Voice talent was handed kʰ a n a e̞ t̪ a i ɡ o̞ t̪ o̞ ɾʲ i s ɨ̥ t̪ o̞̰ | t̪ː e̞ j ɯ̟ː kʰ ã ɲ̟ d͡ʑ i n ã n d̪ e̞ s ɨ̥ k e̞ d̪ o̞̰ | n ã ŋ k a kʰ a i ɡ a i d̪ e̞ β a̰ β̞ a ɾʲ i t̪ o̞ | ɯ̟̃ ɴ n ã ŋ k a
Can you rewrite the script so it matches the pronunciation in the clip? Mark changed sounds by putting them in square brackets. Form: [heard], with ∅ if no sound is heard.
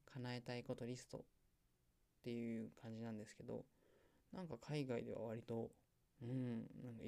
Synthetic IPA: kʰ a n a e̞ t̪ a i [k] o̞ t̪ o̞ ɾʲ i s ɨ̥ t̪ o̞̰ | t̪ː e̞ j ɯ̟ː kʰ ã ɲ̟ d͡ʑ i n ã n d̪ e̞ s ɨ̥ k e̞ d̪ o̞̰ | n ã ŋ k a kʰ a i ɡ a i d̪ e̞ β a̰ β̞ a ɾʲ i t̪ o̞ | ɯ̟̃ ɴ n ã ŋ k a